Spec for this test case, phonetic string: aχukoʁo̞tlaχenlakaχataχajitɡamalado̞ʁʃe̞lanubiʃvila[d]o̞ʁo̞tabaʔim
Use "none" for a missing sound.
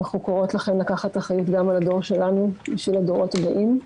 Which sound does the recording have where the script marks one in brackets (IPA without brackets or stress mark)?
d